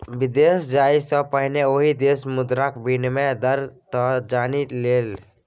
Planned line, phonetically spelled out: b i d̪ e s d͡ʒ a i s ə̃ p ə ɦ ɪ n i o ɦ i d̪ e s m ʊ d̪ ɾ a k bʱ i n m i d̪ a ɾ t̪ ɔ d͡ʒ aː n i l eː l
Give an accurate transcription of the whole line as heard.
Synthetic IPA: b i d̪ e s d͡ʒ a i s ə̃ p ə ɦ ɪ n e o ɦ i d̪ e s m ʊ d̪ ɾ a k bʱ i n m e d̪ ə ɾ t̪ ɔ d͡ʒ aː n i l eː l